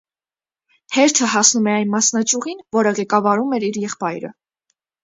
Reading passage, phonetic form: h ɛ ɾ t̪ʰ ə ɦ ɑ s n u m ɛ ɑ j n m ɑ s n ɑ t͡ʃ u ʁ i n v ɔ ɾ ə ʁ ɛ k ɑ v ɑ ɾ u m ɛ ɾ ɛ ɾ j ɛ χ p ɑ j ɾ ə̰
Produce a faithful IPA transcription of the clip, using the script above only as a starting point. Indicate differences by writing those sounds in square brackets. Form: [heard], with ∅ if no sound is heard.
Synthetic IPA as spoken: h ɛ ɾ t̪ʰ ə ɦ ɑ s n u m ɛ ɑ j n m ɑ s n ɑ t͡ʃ u ʁ i n v ɔ ɾ ə ʁ ɛ k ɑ v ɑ ɾ u m ɛ ɾ [i] ɾ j ɛ χ p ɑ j ɾ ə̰